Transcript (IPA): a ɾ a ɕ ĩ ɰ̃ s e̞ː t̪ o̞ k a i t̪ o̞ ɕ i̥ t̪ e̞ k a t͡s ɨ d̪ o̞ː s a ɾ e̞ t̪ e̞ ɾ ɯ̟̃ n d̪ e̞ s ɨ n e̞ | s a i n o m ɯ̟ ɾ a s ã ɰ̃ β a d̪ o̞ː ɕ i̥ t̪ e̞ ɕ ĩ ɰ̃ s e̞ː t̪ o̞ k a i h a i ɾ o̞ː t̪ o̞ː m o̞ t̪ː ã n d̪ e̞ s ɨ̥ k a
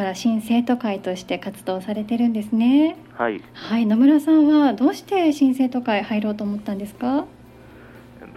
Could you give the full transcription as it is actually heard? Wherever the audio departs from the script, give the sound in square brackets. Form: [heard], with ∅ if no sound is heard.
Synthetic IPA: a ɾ a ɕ ĩ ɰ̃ s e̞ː t̪ o̞ k a i t̪ o̞ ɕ i̥ t̪ e̞ k a t͡s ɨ d̪ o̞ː s a ɾ e̞ t̪ e̞ ɾ ɯ̟̃ n d̪ e̞ s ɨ n e̞ | [h] a i n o m ɯ̟ ɾ a s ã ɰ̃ β a d̪ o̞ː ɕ i̥ t̪ e̞ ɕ ĩ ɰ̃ s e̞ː t̪ o̞ k a i h a i ɾ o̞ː t̪ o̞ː m o̞ t̪ː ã n d̪ e̞ s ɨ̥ k a